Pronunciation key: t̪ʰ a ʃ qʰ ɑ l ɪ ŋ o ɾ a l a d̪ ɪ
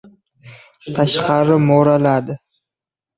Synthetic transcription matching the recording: t̪ʰ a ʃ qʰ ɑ ɾ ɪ m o ɾ a l a d̪ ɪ